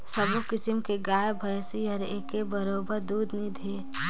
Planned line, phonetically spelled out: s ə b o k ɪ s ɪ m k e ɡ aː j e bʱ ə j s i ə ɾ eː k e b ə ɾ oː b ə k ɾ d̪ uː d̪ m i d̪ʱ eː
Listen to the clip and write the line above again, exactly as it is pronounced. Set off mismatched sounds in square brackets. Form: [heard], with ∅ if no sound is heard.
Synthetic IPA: s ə b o k ɪ s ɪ m k e ɡ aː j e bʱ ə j s i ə ɾ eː k e b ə ɾ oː b ə [∅] ɾ d̪ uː d̪ [n] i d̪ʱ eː